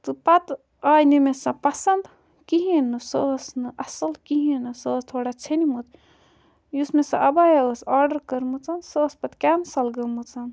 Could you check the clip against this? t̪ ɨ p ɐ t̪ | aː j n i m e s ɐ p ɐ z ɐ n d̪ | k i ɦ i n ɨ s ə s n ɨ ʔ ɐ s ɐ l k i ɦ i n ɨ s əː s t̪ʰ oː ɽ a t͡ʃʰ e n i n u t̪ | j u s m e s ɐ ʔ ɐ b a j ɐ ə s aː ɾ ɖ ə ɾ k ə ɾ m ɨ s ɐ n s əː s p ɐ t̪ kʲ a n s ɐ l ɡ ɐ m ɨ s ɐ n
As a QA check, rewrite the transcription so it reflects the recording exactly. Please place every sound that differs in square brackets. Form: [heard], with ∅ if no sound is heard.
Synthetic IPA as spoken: t̪ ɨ p ɐ t̪ | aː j n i m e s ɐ p ɐ [s] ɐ n d̪ | k i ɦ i n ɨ s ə s n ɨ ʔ ɐ s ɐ l k i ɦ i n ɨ s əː s t̪ʰ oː ɽ a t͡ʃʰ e n i [m] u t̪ | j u s m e s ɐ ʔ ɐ b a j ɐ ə s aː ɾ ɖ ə ɾ k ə ɾ m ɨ [t͡s] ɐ n s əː s p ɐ t̪ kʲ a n s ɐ l ɡ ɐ m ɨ [t͡s] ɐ n